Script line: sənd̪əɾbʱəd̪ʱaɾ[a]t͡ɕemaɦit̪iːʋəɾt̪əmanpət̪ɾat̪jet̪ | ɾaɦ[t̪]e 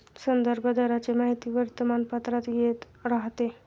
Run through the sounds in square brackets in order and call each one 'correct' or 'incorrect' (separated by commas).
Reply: correct, correct